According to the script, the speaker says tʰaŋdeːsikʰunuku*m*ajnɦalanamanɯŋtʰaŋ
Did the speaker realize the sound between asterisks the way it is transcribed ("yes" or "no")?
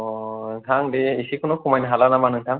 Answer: yes